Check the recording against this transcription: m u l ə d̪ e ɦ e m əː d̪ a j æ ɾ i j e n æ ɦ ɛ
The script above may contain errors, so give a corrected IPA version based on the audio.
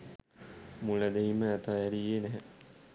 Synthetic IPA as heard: m u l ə d̪ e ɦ i m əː t̪ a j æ ɾ i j e n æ ɦ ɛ